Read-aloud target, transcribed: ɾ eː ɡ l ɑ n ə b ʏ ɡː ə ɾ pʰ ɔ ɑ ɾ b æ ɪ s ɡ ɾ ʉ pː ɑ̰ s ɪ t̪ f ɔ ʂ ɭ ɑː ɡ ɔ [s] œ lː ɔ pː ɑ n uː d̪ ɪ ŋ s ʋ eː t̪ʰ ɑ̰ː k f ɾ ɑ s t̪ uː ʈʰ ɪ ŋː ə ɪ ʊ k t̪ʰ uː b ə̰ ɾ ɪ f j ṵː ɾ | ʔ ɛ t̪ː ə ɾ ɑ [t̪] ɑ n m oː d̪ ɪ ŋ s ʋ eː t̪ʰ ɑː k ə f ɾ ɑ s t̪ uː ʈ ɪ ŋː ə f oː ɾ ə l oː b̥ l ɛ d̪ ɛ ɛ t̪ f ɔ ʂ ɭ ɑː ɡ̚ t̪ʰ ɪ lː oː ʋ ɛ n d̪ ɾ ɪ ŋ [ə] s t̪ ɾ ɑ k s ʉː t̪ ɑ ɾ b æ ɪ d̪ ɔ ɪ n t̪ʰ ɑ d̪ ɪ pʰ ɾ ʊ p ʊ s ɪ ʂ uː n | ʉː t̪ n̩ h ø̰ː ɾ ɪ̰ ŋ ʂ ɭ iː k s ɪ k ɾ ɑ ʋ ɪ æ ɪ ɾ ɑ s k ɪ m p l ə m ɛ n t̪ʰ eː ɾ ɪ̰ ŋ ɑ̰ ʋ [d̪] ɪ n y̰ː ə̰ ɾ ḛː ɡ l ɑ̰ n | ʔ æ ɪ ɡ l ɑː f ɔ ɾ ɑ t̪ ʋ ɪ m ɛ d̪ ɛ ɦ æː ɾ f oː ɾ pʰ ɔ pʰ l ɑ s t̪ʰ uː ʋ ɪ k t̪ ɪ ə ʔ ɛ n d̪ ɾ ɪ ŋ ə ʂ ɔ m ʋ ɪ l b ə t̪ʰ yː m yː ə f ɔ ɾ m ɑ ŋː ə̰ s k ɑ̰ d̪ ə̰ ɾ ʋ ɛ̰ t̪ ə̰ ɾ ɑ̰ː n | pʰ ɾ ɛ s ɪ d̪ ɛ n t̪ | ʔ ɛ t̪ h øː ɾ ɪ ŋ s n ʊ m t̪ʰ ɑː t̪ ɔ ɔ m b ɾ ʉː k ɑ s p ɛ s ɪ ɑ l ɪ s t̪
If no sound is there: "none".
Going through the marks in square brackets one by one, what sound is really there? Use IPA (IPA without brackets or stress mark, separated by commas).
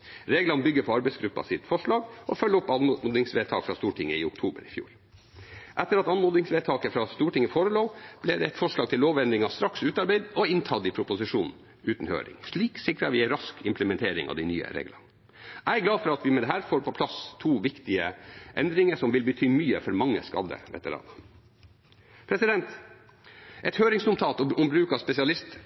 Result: f, t̪, ɑ, d̪